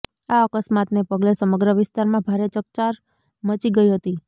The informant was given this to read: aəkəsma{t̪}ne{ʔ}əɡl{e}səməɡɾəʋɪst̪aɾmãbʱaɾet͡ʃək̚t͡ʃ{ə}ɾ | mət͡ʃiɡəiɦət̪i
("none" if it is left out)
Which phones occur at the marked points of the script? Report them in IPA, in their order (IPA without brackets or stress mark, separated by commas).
t̪, p, e, a